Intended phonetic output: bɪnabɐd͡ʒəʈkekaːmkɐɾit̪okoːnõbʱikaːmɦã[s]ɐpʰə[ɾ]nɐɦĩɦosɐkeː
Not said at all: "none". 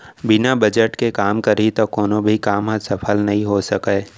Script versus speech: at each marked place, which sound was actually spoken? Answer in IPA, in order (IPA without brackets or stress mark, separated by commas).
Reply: s, l